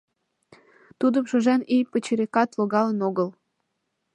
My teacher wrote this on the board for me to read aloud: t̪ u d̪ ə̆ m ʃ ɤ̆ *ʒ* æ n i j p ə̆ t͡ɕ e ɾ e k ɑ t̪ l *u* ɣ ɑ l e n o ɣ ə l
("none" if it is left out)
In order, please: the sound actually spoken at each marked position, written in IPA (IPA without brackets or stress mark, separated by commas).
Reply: ʒ, o